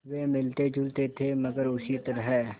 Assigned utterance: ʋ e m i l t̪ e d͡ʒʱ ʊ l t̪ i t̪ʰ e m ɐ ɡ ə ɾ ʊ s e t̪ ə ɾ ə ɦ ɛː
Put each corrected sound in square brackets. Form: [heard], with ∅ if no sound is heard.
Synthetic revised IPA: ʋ e m [ɪ] l t̪ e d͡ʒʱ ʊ l t̪ [e] t̪ʰ e m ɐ ɡ ə ɾ ʊ s [i] t̪ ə ɾ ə ɦ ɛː